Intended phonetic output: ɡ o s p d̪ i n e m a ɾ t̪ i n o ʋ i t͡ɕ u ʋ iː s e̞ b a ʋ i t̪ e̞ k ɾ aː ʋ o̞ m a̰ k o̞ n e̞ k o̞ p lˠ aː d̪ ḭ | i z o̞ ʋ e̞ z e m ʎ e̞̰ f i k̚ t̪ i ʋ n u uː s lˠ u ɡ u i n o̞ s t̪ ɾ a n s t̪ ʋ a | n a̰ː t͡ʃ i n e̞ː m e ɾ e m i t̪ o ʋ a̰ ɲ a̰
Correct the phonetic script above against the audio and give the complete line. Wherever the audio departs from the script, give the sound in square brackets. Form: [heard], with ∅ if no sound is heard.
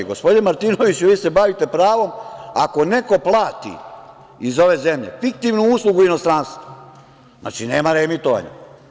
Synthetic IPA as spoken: ɡ o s p d̪ i n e m a ɾ t̪ i n o ʋ i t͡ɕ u ʋ iː s e̞ b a ʋ i t̪ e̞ [p] ɾ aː ʋ o̞ m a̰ k o̞ n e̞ k o̞ p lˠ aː [t̪] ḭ | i z o̞ ʋ e̞ z e m ʎ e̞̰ f i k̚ t̪ i ʋ n u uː s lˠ u ɡ u i n o̞ s t̪ ɾ a n s t̪ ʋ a | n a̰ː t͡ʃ i n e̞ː m [a] ɾ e m i t̪ o ʋ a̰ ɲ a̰